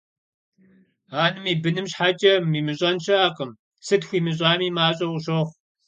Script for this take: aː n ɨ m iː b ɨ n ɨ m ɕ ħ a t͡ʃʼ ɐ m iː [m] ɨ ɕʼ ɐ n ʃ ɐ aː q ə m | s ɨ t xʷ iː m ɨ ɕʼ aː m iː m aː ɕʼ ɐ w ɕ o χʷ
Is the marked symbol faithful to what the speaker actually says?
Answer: yes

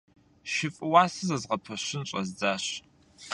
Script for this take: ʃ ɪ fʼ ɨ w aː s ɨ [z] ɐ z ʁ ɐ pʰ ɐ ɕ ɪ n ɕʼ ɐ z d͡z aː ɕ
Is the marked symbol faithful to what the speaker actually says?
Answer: yes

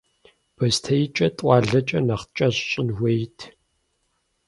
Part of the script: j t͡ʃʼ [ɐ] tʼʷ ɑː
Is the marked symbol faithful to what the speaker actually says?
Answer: yes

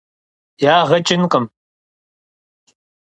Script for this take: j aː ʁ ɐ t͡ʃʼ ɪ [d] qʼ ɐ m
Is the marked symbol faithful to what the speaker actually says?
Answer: no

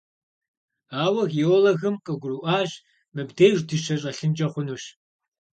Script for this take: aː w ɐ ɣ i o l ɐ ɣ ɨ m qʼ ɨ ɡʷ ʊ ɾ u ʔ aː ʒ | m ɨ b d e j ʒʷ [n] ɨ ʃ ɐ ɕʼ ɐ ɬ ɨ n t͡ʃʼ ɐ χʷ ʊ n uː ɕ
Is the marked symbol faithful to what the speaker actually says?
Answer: no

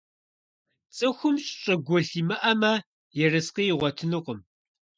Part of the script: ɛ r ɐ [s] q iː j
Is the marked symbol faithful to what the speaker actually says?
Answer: yes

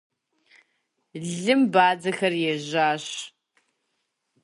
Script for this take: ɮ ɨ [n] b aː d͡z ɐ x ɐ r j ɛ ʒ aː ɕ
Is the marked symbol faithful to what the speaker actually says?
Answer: no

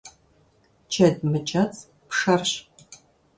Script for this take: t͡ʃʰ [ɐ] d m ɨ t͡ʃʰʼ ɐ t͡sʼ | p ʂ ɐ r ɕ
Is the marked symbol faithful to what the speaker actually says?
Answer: yes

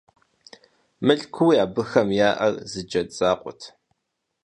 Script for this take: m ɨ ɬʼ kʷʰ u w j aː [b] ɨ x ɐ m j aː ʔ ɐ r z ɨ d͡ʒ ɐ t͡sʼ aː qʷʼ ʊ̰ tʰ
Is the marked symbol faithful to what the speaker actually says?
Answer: yes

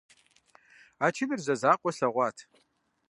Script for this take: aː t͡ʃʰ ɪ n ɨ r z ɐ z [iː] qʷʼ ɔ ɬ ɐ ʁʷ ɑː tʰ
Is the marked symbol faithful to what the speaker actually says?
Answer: no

